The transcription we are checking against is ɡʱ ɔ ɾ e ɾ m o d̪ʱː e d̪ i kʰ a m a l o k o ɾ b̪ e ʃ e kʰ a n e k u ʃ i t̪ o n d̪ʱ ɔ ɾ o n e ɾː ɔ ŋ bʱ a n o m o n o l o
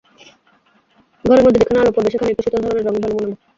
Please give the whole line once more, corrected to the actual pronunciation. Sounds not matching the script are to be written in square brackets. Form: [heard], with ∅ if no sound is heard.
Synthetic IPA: ɡʱ ɔ ɾ e ɾ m o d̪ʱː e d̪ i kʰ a [n] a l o [p] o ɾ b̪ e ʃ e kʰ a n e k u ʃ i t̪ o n d̪ʱ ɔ ɾ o n e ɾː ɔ ŋ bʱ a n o m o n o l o